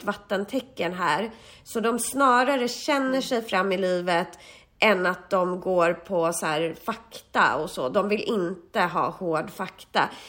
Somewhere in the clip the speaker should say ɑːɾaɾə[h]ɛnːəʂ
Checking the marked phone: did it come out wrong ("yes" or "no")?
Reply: yes